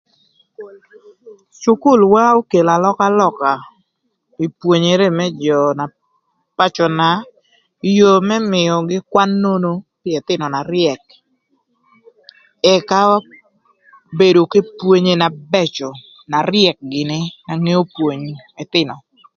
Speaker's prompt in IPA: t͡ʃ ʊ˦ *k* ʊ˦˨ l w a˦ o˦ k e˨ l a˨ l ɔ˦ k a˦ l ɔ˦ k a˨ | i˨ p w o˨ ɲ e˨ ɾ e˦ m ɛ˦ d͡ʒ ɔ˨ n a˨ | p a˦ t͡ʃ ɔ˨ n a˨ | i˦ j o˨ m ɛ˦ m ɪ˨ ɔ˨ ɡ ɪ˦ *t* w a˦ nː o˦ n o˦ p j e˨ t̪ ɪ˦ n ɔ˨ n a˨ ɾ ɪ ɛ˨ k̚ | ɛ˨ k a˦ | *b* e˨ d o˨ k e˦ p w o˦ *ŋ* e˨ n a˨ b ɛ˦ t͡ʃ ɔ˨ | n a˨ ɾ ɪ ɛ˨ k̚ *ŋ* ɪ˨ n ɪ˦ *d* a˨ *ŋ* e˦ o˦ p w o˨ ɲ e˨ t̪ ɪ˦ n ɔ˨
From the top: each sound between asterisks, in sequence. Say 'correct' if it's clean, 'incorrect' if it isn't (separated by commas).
correct, incorrect, correct, incorrect, incorrect, incorrect, correct